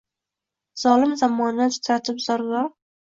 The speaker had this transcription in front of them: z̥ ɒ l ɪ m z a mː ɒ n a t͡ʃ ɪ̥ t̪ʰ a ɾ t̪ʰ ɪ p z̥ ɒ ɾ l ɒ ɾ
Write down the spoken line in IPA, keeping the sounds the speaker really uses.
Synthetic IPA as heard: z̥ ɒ l ɪ m z a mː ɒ n a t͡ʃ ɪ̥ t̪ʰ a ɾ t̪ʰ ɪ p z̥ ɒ ɾ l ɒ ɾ